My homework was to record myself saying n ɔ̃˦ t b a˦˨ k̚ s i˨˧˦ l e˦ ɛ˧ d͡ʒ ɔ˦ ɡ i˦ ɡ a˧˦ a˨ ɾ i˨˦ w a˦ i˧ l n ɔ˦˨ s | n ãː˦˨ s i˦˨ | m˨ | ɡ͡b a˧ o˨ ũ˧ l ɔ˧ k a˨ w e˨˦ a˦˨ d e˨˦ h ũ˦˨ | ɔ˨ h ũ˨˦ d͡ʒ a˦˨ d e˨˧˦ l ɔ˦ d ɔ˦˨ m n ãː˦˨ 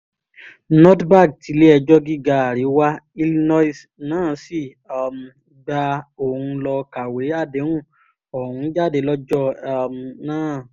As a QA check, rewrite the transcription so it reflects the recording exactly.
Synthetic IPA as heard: n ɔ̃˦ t b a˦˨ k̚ t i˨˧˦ l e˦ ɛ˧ d͡ʒ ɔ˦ ɡ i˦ ɡ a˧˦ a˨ ɾ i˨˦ w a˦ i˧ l n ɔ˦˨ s | n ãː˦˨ s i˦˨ | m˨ | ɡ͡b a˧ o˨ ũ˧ l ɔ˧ k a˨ w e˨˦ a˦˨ d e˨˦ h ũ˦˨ | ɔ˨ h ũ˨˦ d͡ʒ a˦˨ d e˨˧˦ l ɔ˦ d͡ʒ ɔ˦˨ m n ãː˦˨